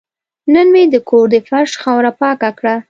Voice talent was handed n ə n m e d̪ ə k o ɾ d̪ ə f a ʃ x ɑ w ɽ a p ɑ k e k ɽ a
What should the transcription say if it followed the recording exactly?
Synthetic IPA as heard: n ə n m e d̪ ə k o ɾ d̪ ə f a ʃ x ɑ w ɾ a p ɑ k a k ɽ a